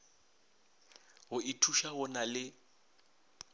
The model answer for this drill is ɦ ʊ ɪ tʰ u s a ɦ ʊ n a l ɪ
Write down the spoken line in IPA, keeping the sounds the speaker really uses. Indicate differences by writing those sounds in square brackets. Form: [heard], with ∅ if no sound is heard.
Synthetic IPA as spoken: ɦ ʊ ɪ tʰ u [ʃ] a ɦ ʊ n a l ɪ